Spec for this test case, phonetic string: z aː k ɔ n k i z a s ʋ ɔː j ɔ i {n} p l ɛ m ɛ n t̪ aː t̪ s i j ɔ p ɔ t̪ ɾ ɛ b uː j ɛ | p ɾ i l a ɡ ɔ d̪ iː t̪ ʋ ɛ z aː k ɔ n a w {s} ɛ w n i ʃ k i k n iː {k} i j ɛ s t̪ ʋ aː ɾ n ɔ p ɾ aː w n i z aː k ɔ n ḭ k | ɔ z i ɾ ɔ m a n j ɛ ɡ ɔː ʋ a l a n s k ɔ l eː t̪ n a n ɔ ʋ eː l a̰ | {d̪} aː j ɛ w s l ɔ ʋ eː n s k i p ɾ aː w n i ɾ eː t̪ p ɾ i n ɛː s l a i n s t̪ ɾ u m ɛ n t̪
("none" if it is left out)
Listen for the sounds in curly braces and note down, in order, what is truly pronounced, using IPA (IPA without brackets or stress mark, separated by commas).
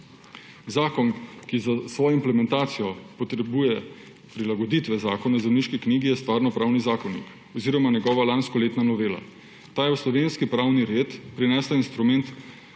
m, z, ɡ, t̪